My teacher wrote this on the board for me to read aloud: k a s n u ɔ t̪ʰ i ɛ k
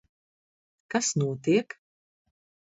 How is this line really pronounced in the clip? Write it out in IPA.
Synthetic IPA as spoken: k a s n u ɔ t̪ i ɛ k